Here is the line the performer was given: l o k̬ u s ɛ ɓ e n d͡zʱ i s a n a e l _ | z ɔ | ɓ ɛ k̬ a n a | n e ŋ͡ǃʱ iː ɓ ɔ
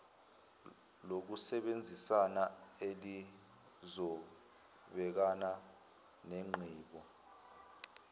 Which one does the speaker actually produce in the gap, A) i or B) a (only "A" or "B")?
A